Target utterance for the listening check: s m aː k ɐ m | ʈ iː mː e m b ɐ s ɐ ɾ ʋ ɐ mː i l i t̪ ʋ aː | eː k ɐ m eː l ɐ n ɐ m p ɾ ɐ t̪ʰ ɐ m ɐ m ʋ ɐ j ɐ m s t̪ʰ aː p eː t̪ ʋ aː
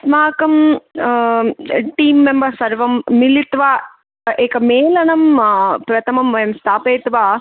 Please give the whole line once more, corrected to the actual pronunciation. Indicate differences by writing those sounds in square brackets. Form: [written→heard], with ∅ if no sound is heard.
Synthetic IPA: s m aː k ɐ m | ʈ iː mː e m b ɐ s ɐ ɾ ʋ ɐ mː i l i t̪ ʋ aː | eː k ɐ m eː l ɐ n ɐ m p ɾ ɐ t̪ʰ ɐ m ɐ m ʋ ɐ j ɐ m s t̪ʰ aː p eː t̪ ʋ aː